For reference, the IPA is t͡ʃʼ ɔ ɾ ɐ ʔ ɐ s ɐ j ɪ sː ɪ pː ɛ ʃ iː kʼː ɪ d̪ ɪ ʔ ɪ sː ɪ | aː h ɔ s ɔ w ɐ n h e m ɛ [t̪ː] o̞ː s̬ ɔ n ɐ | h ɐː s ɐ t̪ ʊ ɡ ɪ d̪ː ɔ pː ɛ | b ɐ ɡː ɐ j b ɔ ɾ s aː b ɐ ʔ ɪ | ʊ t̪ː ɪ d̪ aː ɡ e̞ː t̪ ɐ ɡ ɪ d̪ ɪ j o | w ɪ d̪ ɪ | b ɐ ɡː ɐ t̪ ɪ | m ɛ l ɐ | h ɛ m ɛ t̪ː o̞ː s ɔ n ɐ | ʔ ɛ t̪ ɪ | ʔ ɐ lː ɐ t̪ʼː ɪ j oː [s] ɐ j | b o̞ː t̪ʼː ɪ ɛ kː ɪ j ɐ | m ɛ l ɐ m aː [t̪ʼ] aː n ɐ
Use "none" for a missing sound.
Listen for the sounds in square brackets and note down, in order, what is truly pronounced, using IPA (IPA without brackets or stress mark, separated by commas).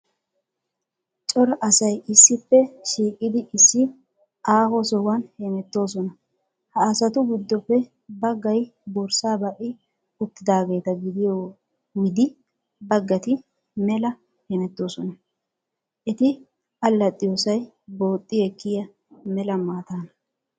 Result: t̪ː, s, t̪